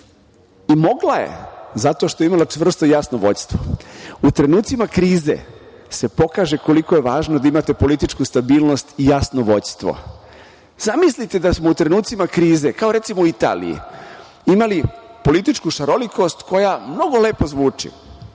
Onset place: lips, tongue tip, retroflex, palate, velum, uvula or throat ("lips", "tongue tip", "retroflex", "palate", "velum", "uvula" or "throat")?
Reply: lips